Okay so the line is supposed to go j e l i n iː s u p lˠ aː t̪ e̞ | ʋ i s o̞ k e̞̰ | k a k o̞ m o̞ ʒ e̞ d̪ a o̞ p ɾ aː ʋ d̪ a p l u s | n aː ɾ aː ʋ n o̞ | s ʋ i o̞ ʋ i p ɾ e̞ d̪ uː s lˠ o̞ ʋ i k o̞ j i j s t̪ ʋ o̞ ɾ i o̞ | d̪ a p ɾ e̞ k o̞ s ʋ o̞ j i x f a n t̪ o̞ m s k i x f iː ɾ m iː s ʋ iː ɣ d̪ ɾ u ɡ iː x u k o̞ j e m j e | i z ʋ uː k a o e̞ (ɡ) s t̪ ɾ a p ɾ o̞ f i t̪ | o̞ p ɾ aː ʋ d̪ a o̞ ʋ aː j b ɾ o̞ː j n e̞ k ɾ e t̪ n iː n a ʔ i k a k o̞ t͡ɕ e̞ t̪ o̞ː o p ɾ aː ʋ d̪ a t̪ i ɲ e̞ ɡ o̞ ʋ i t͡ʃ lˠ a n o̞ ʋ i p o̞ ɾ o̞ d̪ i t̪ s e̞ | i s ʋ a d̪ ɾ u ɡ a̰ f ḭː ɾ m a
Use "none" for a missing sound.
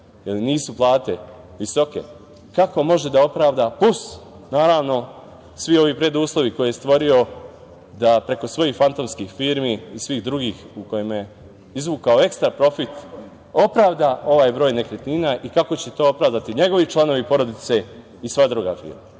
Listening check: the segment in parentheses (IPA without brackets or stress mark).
k